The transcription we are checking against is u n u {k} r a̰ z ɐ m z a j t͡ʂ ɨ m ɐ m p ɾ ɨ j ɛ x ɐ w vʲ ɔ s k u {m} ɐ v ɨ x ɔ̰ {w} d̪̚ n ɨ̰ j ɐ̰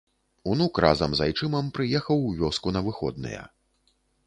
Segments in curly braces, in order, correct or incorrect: correct, incorrect: n, incorrect: none

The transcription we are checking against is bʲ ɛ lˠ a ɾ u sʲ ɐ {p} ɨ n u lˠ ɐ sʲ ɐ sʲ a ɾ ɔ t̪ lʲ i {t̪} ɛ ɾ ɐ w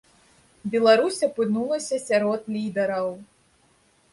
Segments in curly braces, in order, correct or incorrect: correct, incorrect: d̪

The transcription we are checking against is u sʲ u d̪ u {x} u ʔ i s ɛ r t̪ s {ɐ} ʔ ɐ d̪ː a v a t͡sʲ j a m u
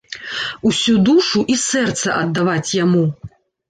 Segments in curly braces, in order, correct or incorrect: incorrect: ʂ, correct

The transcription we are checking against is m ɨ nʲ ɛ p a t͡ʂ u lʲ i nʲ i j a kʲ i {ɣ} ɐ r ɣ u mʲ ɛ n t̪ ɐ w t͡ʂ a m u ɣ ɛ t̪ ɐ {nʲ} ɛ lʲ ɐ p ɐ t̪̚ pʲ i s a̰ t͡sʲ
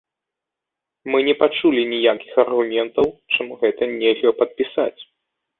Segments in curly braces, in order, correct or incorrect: incorrect: x, correct

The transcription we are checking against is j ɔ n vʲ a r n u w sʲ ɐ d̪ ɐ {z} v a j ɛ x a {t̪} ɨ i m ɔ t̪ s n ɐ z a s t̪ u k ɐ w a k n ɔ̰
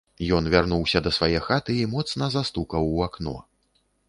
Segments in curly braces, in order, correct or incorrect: incorrect: s, correct

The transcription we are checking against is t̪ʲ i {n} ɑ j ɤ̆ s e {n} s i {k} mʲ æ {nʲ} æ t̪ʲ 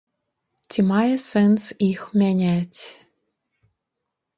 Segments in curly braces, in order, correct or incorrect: incorrect: m, correct, incorrect: x, correct

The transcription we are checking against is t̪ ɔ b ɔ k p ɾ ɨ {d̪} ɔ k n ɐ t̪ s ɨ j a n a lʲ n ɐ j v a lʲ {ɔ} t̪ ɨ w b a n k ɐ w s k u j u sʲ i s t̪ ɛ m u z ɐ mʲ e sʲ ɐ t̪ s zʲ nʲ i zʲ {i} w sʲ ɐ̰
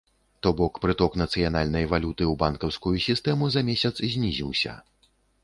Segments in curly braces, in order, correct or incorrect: incorrect: t̪, incorrect: u, correct

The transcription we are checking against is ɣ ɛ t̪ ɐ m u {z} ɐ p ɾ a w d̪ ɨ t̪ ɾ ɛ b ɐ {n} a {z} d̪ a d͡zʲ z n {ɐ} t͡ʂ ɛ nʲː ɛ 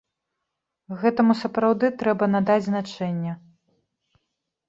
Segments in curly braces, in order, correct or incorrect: incorrect: s, correct, incorrect: none, incorrect: a

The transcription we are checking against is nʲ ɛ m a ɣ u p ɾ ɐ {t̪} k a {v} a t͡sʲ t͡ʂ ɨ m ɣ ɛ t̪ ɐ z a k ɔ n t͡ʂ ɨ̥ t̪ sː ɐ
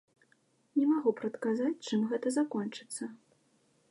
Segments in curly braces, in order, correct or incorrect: correct, incorrect: z

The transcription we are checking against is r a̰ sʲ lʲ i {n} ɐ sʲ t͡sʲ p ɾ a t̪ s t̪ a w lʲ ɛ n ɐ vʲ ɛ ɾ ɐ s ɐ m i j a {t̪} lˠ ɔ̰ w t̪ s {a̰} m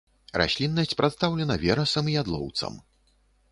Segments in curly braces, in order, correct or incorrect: incorrect: nː, incorrect: d̪, incorrect: ɐ̰

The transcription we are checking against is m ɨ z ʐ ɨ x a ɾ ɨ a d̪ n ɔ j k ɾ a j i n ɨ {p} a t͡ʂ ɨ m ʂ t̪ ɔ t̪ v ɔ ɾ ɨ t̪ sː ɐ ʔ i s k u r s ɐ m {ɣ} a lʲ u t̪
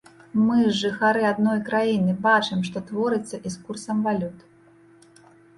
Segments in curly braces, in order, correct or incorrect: incorrect: b, incorrect: v

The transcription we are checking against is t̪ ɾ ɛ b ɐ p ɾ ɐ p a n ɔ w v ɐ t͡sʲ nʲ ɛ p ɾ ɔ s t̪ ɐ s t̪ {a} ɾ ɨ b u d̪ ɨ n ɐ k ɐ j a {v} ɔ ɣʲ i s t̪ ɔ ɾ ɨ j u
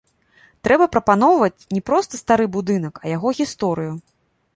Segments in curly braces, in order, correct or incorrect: correct, incorrect: ɣ

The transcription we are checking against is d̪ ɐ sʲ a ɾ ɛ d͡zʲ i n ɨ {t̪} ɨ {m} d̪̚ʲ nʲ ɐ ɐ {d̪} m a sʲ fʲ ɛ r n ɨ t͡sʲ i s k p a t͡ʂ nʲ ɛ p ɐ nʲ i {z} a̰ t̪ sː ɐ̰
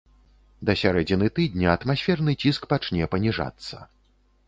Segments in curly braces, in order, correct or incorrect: correct, incorrect: none, incorrect: t̪, incorrect: ʐ

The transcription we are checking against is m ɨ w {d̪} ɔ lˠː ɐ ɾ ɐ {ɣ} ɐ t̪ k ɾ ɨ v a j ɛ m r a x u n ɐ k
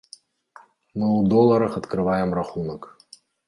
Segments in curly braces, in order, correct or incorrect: correct, incorrect: x

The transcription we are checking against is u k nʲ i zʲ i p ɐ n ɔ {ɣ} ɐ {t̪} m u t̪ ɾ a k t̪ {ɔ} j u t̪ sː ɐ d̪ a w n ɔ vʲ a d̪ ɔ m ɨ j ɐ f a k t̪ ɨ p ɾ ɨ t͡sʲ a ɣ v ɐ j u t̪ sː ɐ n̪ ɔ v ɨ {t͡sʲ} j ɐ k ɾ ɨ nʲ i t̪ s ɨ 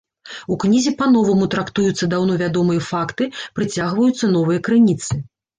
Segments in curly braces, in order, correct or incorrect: incorrect: v, incorrect: none, incorrect: u, incorrect: none

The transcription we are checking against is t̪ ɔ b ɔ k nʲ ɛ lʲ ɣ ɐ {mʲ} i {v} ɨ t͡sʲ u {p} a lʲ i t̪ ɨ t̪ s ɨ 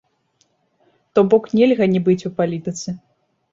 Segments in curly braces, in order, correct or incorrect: incorrect: nʲ, incorrect: b, correct

